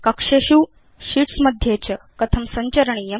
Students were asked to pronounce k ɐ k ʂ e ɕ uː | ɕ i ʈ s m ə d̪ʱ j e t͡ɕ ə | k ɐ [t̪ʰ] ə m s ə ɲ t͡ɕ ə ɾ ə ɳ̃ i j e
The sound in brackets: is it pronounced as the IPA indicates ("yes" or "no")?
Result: yes